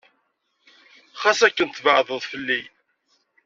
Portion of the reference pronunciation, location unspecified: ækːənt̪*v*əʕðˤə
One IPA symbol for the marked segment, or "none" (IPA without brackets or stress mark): v